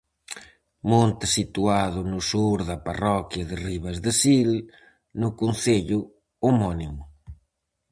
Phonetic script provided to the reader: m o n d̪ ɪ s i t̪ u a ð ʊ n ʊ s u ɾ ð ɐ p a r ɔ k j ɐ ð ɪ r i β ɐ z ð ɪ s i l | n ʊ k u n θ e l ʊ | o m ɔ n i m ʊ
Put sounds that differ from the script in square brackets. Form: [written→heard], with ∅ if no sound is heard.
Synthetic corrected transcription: m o n [d̪→t̪] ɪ s i t̪ u a ð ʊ n ʊ s u ɾ ð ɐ p a r ɔ k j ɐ ð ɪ r i β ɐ z ð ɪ s i l | n ʊ k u n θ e [l→ʎ] ʊ | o m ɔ n i m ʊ